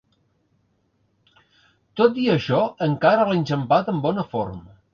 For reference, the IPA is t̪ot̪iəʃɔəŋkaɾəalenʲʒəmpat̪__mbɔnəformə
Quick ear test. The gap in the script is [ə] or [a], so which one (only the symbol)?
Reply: ə